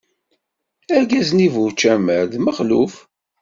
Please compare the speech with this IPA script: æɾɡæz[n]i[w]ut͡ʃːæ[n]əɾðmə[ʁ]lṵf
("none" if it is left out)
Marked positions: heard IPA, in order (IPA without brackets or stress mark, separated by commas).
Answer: n, v, m, χ